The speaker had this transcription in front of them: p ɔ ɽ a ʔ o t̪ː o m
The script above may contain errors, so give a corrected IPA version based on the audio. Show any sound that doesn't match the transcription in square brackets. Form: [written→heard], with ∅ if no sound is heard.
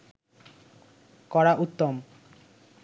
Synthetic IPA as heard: [p→k] ɔ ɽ a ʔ [o→u] t̪ː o m